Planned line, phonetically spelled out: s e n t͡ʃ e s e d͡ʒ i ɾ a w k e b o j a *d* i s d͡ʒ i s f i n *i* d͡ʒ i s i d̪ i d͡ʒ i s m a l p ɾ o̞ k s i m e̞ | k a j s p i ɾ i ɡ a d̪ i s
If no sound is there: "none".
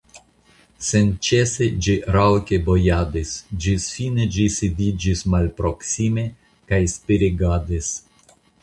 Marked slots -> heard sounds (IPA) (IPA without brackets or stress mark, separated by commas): d, e